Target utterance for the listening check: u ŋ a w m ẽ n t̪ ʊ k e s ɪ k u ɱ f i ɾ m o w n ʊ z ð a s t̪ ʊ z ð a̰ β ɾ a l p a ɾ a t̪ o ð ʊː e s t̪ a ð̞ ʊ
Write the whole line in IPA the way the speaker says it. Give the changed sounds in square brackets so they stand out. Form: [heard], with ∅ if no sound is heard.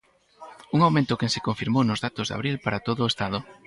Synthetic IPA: u ŋ a w m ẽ n t̪ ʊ k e s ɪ k [o] ɱ f i ɾ m o w n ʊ z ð a [∅] t̪ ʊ z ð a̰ β ɾ [i] l p a ɾ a t̪ o ð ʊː e s t̪ a ð̞ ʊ